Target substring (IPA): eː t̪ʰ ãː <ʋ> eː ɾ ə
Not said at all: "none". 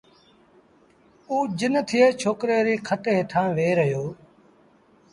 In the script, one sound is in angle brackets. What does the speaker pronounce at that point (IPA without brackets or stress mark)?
ʋ